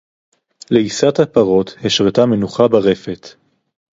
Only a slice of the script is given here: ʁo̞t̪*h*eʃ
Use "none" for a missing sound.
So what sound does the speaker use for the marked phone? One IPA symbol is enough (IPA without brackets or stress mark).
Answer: h